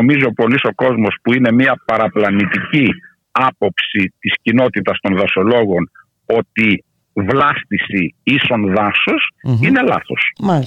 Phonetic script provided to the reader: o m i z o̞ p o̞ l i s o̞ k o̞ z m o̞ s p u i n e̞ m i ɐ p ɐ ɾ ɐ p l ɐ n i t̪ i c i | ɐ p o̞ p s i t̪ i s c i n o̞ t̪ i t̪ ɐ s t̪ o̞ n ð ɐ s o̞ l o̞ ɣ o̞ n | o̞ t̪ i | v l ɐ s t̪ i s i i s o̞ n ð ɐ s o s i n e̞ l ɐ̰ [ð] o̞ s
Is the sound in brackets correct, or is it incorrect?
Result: incorrect